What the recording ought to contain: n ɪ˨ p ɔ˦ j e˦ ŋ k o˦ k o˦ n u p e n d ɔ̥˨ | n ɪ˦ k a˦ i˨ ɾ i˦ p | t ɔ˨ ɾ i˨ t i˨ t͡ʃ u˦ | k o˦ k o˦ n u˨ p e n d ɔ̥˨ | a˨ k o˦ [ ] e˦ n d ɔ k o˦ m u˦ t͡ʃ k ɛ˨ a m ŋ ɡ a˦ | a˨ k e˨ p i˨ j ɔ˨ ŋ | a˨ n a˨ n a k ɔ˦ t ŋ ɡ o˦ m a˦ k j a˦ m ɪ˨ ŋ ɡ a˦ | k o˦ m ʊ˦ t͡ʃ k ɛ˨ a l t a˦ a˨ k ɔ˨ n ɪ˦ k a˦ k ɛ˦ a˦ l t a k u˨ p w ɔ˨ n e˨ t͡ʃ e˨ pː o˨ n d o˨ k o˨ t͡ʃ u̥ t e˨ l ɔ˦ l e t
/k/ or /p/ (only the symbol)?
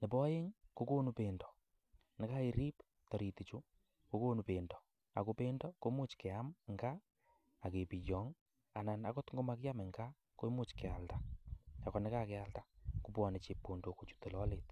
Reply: p